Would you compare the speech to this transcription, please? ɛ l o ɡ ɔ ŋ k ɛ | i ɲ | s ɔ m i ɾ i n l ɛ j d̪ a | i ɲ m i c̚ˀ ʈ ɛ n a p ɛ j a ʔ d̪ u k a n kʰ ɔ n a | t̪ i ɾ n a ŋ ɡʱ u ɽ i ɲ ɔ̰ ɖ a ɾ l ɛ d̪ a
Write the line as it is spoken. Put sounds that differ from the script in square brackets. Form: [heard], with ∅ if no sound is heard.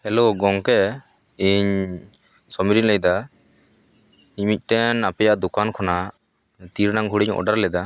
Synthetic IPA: ɛ l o ɡ ɔ ŋ k ɛ | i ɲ | s ɔ m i ɾ i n l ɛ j d̪ a | i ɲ m i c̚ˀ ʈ ɛ n a p ɛ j a ʔ d̪ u k a n kʰ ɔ n a | t̪ i ɾ n a ŋ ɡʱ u ɽ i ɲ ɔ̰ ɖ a ɾ l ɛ d̪ a